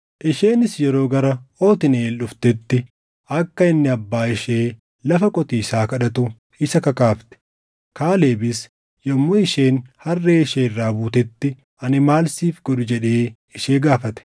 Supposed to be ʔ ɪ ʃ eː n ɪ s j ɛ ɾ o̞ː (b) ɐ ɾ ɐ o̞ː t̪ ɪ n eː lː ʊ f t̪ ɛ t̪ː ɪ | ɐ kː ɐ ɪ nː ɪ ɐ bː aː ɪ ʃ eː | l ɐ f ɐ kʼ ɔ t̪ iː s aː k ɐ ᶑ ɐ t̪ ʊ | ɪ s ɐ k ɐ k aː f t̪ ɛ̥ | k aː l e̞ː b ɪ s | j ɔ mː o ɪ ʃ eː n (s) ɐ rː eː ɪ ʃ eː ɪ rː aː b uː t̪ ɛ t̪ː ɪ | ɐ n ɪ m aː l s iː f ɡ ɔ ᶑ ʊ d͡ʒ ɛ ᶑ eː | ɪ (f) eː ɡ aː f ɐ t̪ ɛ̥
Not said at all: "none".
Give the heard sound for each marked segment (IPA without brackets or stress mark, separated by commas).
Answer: ɡ, h, ʃ